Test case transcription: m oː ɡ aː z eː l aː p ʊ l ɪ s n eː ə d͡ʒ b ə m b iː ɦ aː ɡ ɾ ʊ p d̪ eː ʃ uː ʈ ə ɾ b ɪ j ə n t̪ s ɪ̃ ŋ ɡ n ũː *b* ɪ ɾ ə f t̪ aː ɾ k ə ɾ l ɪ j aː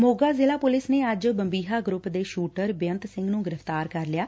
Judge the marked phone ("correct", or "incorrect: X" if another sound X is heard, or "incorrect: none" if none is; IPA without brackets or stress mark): incorrect: ɡ